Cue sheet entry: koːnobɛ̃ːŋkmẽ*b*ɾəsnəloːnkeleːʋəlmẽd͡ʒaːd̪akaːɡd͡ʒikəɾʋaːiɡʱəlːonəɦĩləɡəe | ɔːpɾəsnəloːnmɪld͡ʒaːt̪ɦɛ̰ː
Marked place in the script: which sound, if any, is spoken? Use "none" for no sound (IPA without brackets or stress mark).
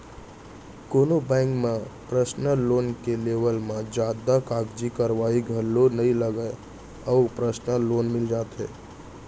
p